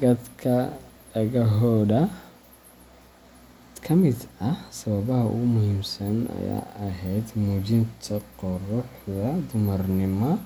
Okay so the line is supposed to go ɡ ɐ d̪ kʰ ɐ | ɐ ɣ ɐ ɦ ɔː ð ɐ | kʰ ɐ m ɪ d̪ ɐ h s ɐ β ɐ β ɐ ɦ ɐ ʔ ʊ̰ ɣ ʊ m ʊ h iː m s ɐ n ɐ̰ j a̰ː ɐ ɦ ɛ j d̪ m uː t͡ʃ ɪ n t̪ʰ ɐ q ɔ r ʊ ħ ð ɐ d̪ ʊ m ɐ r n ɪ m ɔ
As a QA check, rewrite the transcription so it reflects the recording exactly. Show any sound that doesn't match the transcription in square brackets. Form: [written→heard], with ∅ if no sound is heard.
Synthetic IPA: ɡ ɐ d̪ kʰ ɐ | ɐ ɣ ɐ ɦ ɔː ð ɐ | kʰ ɐ m ɪ d̪ ɐ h s ɐ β ɐ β ɐ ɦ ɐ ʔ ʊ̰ ɣ ʊ m ʊ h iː m s ɐ n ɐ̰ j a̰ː ɐ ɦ ɛ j d̪ m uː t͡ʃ ɪ n t̪ʰ ɐ q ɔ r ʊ ħ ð ɐ d̪ ʊ m ɐ r n ɪ m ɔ